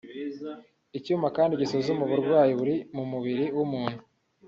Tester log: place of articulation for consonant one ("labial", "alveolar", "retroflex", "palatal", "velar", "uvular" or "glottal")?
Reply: palatal